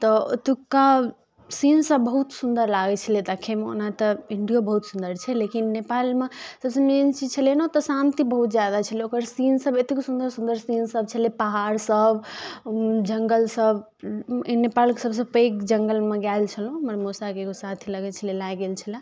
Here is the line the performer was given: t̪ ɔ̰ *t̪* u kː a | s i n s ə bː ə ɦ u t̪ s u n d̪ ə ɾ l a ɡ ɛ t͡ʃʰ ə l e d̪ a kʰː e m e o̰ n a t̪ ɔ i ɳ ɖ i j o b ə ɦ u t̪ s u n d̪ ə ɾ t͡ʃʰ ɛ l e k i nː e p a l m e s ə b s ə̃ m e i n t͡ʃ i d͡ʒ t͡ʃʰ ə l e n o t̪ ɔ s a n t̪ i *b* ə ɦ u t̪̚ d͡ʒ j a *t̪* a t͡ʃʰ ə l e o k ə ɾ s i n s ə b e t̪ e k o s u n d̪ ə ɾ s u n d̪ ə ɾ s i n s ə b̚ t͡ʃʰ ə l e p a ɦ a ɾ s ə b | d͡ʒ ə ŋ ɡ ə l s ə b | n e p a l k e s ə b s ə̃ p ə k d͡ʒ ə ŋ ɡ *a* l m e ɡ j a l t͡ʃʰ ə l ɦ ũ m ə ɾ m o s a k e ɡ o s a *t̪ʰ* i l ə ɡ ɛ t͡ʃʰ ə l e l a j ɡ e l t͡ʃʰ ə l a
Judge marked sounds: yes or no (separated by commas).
yes, yes, no, no, yes